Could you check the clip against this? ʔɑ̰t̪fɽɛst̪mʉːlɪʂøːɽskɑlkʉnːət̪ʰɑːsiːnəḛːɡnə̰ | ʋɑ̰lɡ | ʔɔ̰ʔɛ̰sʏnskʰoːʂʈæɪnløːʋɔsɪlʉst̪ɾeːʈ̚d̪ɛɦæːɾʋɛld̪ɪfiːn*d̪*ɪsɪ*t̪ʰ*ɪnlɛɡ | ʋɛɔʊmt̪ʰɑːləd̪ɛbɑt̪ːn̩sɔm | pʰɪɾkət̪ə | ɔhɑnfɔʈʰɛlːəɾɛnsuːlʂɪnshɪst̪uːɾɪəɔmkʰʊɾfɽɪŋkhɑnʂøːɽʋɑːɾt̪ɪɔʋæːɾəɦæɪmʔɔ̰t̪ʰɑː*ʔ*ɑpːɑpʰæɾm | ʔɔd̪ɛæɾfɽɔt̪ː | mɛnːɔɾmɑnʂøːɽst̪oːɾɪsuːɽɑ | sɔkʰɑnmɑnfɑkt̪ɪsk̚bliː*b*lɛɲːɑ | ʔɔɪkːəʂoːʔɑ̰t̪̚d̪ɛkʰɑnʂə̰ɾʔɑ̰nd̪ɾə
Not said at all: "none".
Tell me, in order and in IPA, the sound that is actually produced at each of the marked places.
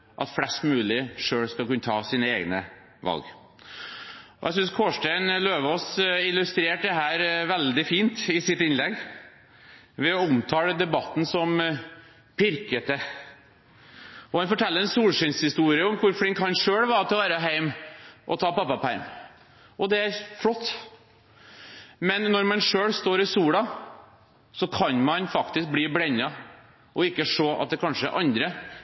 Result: t̪, t̪, p, b

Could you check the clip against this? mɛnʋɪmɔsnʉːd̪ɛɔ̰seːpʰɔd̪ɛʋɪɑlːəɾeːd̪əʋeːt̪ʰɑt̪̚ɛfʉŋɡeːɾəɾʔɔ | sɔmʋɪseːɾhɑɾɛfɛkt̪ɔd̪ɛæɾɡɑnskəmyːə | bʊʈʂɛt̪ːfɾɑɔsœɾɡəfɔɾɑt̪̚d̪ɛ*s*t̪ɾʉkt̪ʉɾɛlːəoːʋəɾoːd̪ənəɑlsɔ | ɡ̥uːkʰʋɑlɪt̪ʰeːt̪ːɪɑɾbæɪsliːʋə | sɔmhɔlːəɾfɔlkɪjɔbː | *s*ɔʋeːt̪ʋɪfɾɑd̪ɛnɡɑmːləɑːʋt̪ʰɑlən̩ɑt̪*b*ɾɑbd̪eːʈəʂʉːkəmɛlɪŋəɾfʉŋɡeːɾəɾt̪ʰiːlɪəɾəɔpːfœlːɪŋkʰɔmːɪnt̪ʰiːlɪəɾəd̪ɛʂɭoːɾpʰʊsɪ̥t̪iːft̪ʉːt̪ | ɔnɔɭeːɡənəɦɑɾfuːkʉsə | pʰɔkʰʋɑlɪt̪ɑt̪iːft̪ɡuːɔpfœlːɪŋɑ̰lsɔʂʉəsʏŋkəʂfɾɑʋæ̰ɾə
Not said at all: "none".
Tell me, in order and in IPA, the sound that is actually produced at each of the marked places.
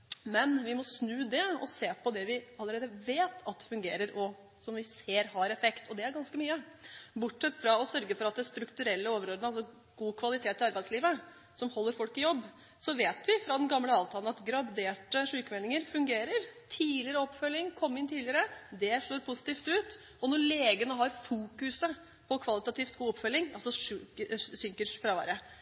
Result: s, s, ɡ

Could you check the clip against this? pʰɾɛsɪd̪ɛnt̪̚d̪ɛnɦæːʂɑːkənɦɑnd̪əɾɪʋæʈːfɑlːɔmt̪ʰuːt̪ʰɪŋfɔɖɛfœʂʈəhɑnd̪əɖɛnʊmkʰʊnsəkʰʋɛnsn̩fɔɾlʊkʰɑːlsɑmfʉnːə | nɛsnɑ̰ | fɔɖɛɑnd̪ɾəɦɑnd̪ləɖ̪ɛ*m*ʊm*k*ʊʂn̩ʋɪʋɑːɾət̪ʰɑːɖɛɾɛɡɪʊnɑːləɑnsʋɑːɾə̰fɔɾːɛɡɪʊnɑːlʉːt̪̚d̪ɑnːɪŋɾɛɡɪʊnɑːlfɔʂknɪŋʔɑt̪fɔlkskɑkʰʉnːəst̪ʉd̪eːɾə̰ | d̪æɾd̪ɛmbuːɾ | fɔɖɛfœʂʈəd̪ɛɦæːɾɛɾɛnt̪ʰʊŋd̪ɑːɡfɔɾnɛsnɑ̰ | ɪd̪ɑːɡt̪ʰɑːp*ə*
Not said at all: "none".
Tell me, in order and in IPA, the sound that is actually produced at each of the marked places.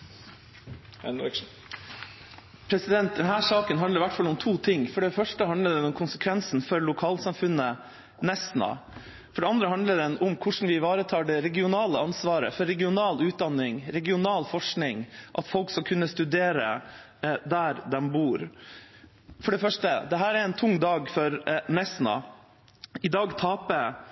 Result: n, kʰ, ə

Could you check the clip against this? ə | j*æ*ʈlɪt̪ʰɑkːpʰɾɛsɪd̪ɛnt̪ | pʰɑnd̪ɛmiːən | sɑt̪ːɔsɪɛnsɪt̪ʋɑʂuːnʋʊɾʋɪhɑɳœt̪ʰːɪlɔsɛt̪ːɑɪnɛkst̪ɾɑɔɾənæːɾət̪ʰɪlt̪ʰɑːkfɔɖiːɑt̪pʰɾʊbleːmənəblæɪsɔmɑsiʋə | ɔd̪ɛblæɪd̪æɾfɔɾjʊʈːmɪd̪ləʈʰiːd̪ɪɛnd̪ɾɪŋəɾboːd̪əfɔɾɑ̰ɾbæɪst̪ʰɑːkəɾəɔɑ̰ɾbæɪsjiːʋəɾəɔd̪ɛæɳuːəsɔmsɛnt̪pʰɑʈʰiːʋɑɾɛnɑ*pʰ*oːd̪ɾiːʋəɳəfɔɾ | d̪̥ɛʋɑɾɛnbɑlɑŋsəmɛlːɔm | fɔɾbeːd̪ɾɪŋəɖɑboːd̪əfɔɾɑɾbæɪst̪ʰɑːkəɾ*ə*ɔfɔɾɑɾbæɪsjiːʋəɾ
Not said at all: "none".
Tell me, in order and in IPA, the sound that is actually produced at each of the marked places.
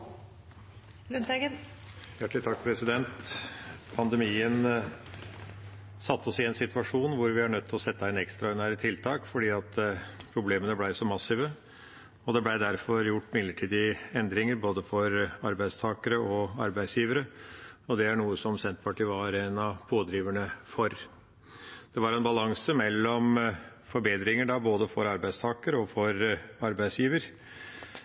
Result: æ, pʰ, ə

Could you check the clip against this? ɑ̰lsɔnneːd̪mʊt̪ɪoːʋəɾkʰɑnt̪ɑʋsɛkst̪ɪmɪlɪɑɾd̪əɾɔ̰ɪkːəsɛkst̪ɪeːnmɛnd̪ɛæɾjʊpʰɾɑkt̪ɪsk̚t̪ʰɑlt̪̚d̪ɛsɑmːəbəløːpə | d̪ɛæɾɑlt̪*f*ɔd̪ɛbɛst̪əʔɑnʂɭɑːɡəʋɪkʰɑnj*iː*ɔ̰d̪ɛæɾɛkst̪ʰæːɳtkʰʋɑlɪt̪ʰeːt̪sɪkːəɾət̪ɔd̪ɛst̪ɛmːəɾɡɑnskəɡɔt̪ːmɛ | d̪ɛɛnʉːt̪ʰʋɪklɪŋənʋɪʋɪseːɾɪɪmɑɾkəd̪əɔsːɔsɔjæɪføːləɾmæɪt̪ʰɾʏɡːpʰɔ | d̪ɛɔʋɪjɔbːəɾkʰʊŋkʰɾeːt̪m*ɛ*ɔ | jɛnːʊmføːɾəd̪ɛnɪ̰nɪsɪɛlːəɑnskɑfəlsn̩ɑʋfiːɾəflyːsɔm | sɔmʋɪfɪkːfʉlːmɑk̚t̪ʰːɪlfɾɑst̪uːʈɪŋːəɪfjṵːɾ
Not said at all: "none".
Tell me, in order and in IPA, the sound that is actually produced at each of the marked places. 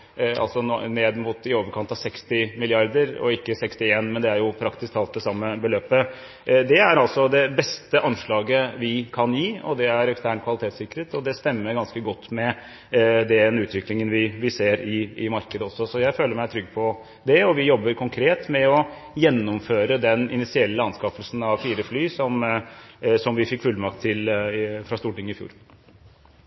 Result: s, iː, ɛ

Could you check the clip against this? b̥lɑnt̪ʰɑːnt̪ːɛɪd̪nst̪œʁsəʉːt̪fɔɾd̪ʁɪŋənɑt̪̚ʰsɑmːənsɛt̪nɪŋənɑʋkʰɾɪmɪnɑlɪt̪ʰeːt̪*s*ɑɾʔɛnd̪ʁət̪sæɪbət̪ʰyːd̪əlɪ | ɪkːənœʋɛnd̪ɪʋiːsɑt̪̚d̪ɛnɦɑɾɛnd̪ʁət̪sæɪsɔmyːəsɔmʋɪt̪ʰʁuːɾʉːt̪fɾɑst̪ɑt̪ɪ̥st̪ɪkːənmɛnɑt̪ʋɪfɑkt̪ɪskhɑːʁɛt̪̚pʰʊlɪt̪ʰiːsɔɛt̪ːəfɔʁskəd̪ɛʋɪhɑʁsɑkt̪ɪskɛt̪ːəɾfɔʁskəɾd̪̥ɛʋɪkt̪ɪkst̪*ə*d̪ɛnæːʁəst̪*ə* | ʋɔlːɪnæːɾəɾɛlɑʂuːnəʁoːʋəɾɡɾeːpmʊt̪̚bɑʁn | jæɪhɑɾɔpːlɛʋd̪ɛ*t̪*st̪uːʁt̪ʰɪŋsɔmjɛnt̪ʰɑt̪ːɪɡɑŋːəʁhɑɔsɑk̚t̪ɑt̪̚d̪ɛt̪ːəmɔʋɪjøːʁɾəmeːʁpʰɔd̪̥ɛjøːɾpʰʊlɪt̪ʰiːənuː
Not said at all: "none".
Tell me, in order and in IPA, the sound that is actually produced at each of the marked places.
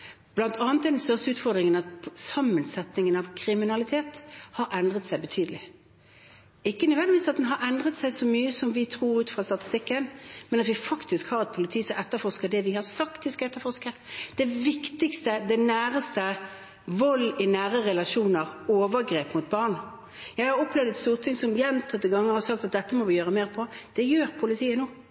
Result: h, ə, ə, t̪

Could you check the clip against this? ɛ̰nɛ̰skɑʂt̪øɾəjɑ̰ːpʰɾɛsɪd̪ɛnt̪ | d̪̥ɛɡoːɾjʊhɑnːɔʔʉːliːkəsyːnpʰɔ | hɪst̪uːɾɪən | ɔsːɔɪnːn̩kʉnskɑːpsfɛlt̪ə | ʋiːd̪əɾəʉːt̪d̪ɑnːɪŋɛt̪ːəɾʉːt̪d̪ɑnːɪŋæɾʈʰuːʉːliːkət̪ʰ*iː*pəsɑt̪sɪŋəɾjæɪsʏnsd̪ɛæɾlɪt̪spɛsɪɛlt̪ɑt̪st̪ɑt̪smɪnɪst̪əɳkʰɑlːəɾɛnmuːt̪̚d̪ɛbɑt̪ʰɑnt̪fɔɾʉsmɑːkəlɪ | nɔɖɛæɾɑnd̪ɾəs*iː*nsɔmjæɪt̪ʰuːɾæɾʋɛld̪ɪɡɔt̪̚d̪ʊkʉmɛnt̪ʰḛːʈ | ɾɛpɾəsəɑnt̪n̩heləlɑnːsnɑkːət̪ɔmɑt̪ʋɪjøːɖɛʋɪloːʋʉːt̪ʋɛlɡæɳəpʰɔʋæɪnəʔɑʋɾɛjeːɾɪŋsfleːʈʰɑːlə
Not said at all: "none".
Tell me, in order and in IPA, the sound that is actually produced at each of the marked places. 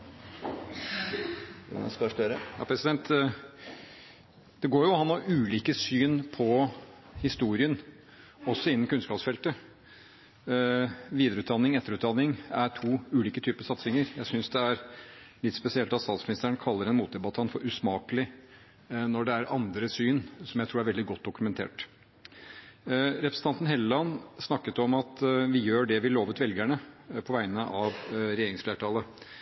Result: yː, yː

